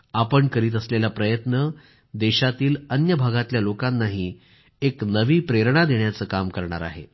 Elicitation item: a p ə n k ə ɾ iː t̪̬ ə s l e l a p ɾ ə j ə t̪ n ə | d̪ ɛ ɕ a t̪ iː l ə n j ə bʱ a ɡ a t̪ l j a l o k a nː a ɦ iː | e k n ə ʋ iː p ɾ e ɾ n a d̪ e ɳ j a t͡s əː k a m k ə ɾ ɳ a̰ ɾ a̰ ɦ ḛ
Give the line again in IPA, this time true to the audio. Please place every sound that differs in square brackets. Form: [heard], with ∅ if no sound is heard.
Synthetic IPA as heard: a p ə [ɳ] k ə ɾ iː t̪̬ ə s l e l a p ɾ ə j ə t̪ n ə | d̪ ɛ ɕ a t̪ iː l ə n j ə bʱ a ɡ a t̪ l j a l o k a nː a ɦ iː | e k n ə ʋ iː p ɾ e ɾ [ɳ] a d̪ e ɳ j a t͡s əː k a m k ə ɾ ɳ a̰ ɾ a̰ ɦ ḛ